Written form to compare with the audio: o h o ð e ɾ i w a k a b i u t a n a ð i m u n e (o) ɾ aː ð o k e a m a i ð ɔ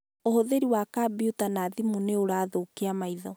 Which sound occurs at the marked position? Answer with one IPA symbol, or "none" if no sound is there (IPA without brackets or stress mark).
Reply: o